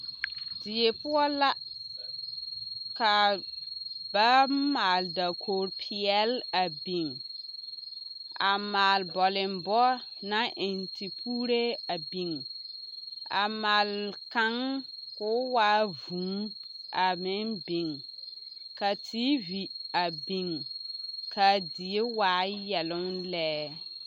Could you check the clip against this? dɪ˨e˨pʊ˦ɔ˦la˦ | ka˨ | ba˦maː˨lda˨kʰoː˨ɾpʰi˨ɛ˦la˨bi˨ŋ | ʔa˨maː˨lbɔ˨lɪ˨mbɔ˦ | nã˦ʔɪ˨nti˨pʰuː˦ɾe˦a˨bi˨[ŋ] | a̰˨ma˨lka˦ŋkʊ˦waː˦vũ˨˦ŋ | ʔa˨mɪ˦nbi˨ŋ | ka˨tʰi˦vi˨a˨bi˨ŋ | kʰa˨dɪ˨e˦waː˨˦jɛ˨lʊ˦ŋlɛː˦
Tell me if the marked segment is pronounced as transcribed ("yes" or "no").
yes